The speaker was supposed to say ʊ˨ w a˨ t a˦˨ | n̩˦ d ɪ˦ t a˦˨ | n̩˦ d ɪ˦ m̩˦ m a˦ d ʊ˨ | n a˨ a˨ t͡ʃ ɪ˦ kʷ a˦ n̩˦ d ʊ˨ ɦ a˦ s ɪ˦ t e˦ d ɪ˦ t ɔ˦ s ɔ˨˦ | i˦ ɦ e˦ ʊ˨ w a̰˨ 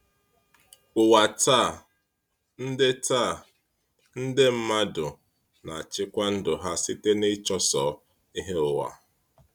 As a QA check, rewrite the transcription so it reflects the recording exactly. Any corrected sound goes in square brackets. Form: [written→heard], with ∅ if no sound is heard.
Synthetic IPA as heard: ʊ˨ w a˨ t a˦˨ | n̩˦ d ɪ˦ t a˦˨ | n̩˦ d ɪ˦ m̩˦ m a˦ d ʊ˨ | n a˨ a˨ t͡ʃ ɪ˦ kʷ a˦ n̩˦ d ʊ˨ ɦ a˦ s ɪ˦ t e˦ [d→n] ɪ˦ [t→t͡ʃ] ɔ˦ s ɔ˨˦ | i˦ ɦ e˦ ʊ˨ w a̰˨